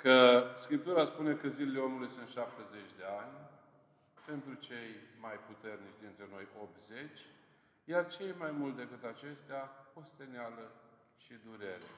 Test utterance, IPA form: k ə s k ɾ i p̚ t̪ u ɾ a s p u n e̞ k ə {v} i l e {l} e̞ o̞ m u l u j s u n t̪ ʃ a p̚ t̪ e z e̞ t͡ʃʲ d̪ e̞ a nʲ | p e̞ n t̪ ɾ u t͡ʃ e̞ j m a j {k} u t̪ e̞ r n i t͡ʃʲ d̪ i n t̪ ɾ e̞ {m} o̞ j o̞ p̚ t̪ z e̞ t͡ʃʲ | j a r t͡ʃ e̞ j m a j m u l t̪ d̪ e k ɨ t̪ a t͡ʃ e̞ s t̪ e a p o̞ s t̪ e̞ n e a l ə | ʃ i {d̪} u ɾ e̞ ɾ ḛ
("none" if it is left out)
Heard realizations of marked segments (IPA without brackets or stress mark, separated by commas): z, l, p, n, d̪